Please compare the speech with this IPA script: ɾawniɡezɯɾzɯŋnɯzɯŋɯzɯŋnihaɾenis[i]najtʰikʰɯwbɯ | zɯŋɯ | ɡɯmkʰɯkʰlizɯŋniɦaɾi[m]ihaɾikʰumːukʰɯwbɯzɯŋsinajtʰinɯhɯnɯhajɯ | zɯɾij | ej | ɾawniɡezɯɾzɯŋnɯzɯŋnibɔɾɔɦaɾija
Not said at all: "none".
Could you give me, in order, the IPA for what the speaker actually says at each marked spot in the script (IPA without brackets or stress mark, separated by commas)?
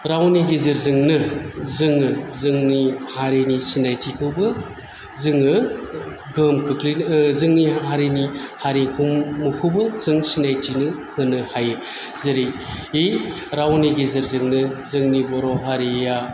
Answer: i, n